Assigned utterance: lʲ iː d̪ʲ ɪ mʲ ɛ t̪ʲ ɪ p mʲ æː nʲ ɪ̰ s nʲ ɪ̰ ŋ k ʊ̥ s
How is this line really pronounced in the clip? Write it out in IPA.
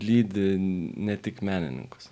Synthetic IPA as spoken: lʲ iː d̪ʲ ɪ nʲ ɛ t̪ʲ ɪ k mʲ æː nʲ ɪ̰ nʲ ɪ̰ ŋ k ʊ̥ s

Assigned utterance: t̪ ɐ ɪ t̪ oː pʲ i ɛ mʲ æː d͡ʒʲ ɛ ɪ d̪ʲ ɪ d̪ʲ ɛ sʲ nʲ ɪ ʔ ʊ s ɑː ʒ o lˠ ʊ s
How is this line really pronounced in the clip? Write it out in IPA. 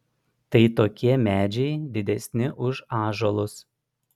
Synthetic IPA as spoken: t̪ ɐ ɪ t̪ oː kʲ i ɛ mʲ æː d͡ʒʲ ɛ ɪ d̪ʲ ɪ d̪ʲ ɛ sʲ nʲ ɪ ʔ ʊ ʃ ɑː ʒ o lˠ ʊ s

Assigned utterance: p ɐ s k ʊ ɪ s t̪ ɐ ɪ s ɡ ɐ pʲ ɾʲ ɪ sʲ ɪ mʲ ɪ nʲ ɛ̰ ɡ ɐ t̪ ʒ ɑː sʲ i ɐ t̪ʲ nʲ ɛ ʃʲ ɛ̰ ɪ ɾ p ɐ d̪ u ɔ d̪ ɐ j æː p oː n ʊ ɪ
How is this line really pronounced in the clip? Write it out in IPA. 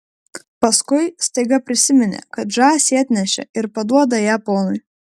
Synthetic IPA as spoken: p ɐ s k ʊ ɪ s t̪ ɐ ɪ ɡ ɐ pʲ ɾʲ ɪ sʲ ɪ mʲ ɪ nʲ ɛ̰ k ɐ t̪ ʒ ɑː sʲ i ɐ t̪ʲ nʲ ɛ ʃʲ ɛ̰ ɪ ɾ p ɐ d̪ u ɔ d̪ ɐ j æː p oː n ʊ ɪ

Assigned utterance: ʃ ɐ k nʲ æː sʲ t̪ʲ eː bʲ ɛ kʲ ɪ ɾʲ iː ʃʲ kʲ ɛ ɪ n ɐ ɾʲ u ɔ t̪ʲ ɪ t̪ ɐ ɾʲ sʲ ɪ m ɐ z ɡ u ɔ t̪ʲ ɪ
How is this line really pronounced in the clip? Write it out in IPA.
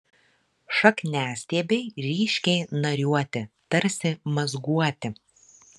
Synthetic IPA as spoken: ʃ ɐ k nʲ æː sʲ t̪ʲ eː bʲ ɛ ɪ ɾʲ iː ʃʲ kʲ ɛ ɪ n ɐ ɾʲ u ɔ t̪ʲ ɪ t̪ ɐ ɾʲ sʲ ɪ m ɐ z ɡ u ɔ t̪ʲ ɪ

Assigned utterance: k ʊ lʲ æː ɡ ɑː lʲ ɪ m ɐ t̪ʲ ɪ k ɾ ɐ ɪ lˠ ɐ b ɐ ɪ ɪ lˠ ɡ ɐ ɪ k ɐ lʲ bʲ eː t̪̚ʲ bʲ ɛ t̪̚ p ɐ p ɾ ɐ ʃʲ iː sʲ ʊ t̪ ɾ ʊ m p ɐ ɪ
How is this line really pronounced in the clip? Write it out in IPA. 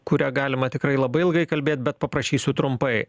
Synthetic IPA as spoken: k ʊ ɾʲ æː ɡ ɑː lʲ ɪ m ɐ t̪ʲ ɪ k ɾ ɐ ɪ lˠ ɐ b ɐ ɪ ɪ lˠ ɡ ɐ ɪ k ɐ lʲ bʲ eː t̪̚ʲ bʲ ɛ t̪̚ p ɐ p ɾ ɐ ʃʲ iː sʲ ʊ t̪ ɾ ʊ m p ɐ ɪ

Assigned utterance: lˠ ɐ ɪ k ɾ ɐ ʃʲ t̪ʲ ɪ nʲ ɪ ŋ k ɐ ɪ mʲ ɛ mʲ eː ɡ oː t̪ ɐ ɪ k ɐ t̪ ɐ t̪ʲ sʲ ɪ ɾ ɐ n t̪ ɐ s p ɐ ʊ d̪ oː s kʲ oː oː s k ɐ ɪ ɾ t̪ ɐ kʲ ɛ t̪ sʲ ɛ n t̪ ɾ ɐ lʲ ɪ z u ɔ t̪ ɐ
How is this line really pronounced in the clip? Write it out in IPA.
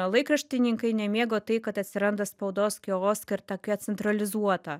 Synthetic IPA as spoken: lˠ ɐ ɪ k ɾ ɐ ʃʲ t̪ʲ ɪ nʲ ɪ ŋ k ɐ ɪ nʲ ɛ mʲ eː ɡ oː t̪ ɐ ɪ k ɐ t̪ ɐ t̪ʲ sʲ ɪ ɾ ɐ n d̪ ɐ s p ɐ ʊ d̪ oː s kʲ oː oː s k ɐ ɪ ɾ t̪ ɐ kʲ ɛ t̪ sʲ ɛ n t̪ ɾ ɐ lʲ ɪ z u ɔ t̪ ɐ

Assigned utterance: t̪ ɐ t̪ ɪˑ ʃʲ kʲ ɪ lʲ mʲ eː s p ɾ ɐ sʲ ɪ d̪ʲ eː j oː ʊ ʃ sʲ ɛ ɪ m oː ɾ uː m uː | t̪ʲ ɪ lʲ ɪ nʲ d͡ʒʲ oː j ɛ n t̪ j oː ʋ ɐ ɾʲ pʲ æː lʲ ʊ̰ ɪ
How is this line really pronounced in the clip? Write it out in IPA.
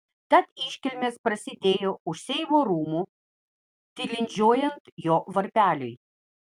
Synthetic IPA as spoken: t̪ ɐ t̪ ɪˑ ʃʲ kʲ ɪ lʲ mʲ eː s p ɾ ɐ sʲ ɪ d̪ʲ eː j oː ʊ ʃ sʲ ɛ ɪ m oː ɾ uː m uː | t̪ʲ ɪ lʲ ɪ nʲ d͡ʒʲ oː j ɛ n t̪ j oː ʋ ɐ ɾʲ pʲ æː lʲ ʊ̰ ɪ

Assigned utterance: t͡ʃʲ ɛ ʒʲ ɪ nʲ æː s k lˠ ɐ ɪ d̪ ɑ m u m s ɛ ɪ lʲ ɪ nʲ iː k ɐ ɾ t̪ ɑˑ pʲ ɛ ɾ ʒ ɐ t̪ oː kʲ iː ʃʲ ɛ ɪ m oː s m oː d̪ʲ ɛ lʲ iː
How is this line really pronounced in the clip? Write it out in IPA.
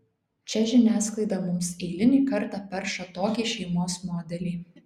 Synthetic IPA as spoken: t͡ʃʲ ɛ ʒʲ ɪ nʲ æː s k lˠ ɐ ɪ d̪ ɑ m ʊ m s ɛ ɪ lʲ ɪ nʲ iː k ɐ ɾ t̪ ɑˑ pʲ ɛ ɾ ʃ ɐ t̪ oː kʲ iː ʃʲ ɛ ɪ m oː s m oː d̪ʲ ɛ lʲ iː

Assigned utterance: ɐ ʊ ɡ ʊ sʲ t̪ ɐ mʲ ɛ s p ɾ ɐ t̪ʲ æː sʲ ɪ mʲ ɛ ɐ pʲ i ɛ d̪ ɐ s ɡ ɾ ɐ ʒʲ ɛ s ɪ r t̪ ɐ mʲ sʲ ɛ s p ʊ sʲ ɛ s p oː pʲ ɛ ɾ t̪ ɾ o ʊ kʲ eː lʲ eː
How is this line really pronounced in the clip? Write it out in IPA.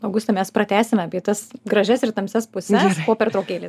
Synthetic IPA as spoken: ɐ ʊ ɡ ʊ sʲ t̪ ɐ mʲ ɛ s p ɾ ɐ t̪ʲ æː sʲ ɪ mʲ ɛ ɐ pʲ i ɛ t̪ ɐ s ɡ ɾ ɐ ʒʲ ɛ s ɪ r t̪ ɐ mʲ sʲ ɛ s p ʊ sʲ ɛ s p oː pʲ ɛ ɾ t̪ ɾ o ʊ kʲ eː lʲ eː

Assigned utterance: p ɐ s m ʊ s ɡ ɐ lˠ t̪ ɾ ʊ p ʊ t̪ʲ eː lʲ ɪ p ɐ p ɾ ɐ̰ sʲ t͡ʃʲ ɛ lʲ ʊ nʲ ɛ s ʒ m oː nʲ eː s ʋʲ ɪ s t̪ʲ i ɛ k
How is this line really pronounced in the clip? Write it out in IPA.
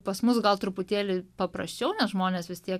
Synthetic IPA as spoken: p ɐ s m ʊ s ɡ ɐ lˠ t̪ ɾ ʊ p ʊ t̪ʲ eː lʲ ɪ p ɐ p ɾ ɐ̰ sʲ t͡ʃʲ ɛ ʊ nʲ ɛ s ʒ m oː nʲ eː s ʋʲ ɪ s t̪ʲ i ɛ k

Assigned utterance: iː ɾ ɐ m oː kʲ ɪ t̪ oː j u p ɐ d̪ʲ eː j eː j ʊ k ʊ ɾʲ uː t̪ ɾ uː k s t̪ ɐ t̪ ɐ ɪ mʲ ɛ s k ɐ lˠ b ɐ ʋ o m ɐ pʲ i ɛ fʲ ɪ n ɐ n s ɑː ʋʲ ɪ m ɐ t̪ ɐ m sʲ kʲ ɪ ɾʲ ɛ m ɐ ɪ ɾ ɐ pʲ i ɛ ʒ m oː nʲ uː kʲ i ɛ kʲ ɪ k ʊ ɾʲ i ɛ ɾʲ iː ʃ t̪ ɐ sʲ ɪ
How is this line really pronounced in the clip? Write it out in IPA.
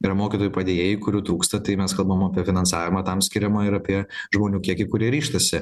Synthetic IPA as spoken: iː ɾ ɐ m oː kʲ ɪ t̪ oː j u p ɐ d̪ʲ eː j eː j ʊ k ʊ ɾʲ uː t̪ ɾ uː k s t̪ ɐ t̪ ɐ ɪ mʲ ɛ s k ɐ lˠ b ɐ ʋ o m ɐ pʲ i ɛ fʲ ɪ n ɐ n s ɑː ʋʲ ɪ m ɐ t̪ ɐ m sʲ kʲ ɪ ɾʲ ɛ m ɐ ɪ ɾ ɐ pʲ i ɛ ʒ m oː nʲ uː kʲ i ɛ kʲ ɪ k ʊ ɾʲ i ɛ ɾʲ iː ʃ t̪ ɐ sʲ ɪ

